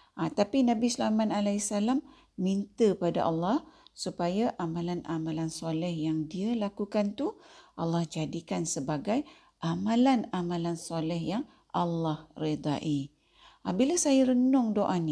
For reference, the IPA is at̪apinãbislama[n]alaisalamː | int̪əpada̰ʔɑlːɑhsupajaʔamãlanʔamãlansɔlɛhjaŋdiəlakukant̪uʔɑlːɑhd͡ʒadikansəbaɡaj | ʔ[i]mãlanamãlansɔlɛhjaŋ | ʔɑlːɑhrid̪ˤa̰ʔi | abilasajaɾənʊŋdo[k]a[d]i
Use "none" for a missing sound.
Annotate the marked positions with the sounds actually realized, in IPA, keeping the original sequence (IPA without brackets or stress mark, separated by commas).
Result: n, a, ʔ, n